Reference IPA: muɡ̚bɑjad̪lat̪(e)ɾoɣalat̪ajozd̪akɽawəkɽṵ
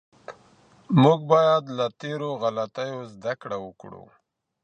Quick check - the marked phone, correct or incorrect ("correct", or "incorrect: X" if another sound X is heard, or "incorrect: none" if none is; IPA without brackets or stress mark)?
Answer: correct